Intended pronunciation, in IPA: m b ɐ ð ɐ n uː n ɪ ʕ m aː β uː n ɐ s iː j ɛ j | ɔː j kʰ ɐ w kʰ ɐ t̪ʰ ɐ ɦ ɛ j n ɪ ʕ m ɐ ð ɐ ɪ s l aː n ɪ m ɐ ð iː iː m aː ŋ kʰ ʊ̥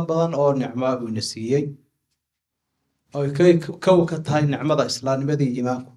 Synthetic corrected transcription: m b ɐ ð ɐ n ɔː n ɪ ʕ m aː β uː n ɐ s iː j ɛ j | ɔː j kʰ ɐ w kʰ ɐ t̪ʰ ɐ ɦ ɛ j n ɪ ʕ m ɐ ð ɐ ɪ s l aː n ɪ m ɐ ð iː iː m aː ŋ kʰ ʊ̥